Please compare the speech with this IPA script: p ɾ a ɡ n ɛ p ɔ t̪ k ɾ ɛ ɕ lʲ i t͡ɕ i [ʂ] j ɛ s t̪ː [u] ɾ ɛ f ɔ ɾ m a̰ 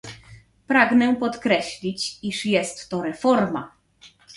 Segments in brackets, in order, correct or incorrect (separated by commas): correct, incorrect